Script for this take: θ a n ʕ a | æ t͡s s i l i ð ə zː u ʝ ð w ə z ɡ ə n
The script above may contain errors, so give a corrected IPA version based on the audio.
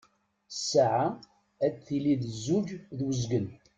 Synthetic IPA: s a ʕ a | æ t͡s θ i l i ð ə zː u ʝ ð w ə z ɡ ə n